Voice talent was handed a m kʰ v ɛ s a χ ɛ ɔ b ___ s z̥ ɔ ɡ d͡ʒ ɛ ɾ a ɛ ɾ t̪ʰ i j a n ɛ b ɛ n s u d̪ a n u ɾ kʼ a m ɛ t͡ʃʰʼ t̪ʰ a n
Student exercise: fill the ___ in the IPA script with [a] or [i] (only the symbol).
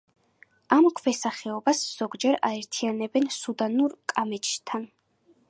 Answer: a